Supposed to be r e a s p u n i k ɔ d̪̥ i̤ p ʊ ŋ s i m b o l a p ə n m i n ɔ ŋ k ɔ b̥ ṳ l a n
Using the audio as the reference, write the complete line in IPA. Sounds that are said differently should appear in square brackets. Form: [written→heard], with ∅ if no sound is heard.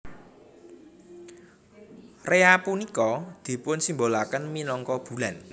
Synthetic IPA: r e a [s→∅] p u n i k ɔ d̪̥ i̤ p ʊ [ŋ→n] s i m b o l a [p→k] ə n m i n ɔ ŋ k ɔ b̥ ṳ l a n